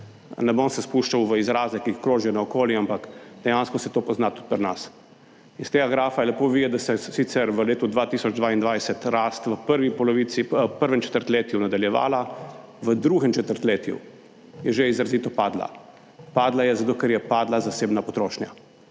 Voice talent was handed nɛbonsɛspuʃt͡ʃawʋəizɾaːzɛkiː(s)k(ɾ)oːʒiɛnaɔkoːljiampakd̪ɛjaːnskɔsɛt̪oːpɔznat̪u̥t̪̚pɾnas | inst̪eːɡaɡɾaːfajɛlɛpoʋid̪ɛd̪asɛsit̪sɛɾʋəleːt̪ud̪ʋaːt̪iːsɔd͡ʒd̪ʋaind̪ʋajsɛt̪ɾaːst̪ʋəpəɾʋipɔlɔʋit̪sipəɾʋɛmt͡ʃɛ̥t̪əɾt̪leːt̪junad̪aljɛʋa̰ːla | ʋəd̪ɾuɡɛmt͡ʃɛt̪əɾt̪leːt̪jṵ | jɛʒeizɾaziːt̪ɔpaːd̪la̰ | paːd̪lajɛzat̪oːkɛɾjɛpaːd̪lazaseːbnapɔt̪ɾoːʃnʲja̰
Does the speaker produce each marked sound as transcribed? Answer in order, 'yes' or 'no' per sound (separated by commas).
no, yes